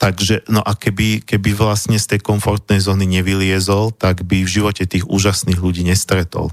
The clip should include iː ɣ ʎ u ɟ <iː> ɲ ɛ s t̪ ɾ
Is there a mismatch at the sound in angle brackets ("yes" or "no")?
no